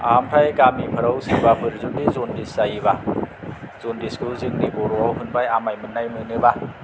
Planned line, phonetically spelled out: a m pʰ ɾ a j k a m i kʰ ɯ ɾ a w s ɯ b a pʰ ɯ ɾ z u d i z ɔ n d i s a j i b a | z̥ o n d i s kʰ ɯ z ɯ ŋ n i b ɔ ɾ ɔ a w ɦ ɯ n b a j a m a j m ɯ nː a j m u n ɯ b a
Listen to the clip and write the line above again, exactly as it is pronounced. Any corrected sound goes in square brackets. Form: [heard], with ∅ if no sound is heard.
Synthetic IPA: a m pʰ ɾ a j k a m i [pʰ] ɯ ɾ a w s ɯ b a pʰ ɯ ɾ z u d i z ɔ n d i s a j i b a | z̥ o n d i s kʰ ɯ z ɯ ŋ n i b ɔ ɾ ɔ a w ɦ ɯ n b a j a m a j m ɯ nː a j m [ɯ] n ɯ b a